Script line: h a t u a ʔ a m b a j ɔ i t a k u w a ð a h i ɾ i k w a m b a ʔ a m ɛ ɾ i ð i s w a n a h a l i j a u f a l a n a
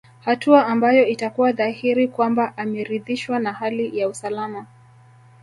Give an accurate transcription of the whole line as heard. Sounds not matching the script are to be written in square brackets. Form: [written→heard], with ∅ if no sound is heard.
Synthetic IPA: h a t u a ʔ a m b a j ɔ i t a k u w a ð a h i ɾ i k w a m b a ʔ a m ɛ ɾ i ð i [s→ʃ] w a n a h a l i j a u [f→s] a l a [n→m] a